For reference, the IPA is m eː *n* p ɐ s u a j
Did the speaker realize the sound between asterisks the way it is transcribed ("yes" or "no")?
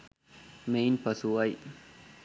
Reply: yes